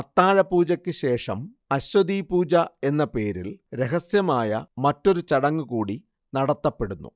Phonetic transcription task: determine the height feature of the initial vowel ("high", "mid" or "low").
low